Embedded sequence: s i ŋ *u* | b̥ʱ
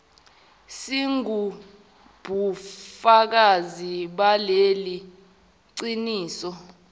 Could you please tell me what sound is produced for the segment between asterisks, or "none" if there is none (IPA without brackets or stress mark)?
u